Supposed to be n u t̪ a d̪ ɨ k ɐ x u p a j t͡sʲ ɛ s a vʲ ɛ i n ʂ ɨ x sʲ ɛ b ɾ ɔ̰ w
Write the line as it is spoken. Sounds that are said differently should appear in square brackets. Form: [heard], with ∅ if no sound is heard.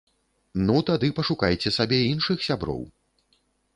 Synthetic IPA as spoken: n u t̪ a d̪ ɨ [p] ɐ [ʂ] u [k] a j t͡sʲ ɛ s a [bʲ] ɛ i n ʂ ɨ x sʲ [a] b ɾ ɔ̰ w